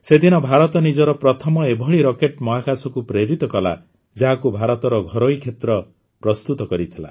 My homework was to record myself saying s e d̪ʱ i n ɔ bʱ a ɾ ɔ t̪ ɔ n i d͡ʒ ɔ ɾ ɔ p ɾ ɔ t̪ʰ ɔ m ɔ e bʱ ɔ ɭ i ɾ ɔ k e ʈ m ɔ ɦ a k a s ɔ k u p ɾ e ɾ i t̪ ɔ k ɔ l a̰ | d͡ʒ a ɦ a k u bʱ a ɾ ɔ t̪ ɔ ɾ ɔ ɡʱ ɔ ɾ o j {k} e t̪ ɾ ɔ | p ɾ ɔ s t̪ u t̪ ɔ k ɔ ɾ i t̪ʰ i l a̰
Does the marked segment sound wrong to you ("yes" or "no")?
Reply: yes